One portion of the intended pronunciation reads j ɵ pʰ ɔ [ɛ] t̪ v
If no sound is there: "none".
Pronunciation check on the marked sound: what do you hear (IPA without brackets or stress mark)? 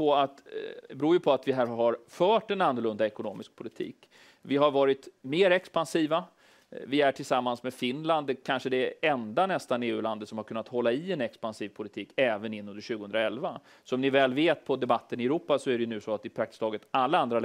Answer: a